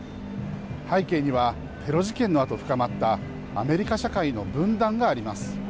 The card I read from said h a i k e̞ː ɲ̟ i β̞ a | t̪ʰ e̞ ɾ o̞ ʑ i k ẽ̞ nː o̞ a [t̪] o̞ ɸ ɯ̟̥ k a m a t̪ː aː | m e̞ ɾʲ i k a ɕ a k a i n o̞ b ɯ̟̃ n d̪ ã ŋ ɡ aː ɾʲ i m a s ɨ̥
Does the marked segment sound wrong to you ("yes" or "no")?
no